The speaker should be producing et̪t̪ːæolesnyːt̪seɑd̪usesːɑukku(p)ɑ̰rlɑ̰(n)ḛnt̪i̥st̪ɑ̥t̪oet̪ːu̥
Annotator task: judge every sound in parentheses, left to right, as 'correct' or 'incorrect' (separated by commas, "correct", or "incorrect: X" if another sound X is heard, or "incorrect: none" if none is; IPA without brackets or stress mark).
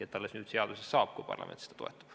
correct, incorrect: m